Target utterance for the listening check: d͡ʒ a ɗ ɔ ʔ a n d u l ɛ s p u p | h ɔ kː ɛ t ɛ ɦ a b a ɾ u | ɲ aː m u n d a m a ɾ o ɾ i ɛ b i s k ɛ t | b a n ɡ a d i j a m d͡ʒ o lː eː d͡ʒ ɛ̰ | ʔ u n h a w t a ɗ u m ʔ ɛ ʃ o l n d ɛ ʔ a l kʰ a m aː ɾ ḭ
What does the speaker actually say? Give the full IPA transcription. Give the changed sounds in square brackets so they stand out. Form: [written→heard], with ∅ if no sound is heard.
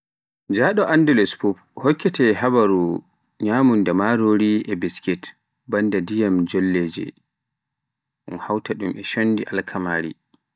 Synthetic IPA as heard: d͡ʒ a ɗ ɔ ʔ a n d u l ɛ s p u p | h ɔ kː ɛ t ɛ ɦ a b a ɾ u | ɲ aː m u n d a m a ɾ o ɾ i ɛ b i s k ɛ t | b a n [ɡ→d] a d i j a m d͡ʒ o lː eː d͡ʒ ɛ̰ | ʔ u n h a w t a ɗ u m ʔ ɛ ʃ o [l→∅] n d [ɛ→i] ʔ a l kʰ a m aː ɾ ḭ